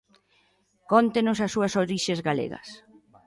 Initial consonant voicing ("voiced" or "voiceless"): voiceless